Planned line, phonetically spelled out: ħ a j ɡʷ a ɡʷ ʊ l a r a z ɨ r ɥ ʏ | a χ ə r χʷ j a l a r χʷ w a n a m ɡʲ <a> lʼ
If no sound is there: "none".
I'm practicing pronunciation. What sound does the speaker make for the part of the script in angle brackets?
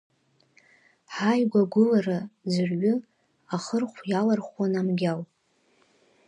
a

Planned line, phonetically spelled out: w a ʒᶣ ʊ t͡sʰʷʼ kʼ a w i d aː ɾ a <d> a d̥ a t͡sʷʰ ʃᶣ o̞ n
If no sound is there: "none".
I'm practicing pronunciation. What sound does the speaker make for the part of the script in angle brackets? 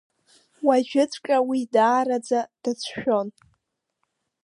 d͡z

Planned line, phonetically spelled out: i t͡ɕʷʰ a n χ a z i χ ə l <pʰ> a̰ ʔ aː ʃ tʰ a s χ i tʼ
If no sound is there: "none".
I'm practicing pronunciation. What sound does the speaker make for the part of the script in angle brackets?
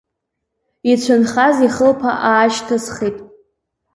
pʰ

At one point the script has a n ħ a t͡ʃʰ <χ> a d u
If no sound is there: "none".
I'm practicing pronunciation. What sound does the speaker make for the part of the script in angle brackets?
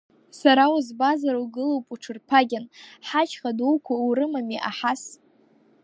χ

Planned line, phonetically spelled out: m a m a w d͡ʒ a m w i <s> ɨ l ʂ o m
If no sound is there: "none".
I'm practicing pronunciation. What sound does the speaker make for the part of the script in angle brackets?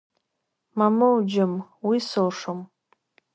s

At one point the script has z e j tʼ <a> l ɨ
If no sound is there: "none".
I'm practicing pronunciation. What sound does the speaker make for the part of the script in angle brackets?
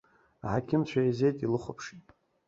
i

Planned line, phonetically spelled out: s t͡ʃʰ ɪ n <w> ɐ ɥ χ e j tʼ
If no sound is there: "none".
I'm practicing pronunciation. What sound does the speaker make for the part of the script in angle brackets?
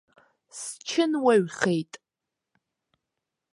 w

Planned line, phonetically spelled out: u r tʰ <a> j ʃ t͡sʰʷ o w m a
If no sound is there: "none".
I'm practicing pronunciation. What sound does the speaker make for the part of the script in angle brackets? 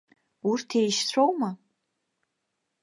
e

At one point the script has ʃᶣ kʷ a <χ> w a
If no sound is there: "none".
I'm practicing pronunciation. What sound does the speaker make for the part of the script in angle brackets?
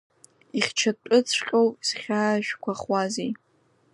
χ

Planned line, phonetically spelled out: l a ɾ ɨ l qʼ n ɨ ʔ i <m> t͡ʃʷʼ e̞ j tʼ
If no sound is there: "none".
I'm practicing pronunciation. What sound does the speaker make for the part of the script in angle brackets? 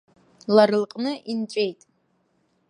n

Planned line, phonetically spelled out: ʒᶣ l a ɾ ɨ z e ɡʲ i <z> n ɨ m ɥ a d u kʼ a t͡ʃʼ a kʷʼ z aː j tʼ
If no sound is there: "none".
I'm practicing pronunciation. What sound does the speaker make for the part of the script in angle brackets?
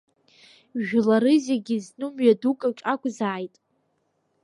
z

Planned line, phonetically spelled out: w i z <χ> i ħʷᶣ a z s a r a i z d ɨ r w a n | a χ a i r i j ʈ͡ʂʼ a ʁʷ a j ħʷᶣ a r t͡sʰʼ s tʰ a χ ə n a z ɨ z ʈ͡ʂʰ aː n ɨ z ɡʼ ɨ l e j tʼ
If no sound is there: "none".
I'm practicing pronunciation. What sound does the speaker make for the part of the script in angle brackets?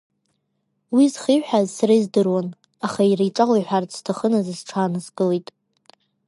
χ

